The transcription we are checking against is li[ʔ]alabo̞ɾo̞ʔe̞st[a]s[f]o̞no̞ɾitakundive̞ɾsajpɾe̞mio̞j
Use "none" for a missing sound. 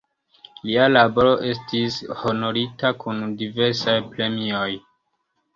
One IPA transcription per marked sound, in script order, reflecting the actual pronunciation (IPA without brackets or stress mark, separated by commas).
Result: none, i, h